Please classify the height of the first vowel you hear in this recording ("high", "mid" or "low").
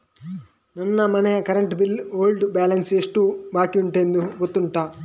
low